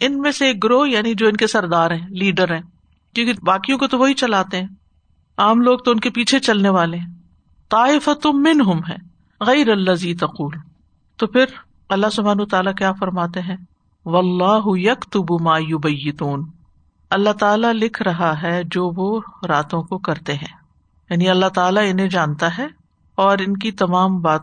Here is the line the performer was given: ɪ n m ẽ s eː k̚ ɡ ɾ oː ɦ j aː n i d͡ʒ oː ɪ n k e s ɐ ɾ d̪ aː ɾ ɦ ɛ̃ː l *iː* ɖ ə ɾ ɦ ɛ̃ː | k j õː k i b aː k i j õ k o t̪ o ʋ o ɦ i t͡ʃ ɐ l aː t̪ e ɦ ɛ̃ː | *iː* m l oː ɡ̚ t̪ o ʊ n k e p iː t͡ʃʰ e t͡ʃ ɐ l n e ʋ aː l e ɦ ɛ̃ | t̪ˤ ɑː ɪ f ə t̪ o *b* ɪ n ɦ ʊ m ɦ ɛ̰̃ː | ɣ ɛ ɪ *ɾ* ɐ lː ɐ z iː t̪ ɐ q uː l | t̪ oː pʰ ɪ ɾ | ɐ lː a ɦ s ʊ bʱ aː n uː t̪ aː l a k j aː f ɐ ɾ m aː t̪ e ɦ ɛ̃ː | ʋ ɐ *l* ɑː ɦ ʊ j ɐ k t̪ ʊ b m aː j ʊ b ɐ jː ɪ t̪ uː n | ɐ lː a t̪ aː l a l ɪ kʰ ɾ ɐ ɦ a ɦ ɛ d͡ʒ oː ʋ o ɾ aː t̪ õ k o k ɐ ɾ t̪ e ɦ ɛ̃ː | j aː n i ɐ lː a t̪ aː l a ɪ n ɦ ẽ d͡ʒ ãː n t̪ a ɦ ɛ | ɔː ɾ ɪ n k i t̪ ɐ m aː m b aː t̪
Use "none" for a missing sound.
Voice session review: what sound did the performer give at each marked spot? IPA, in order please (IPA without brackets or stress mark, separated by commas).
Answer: iː, aː, m, ɾ, lː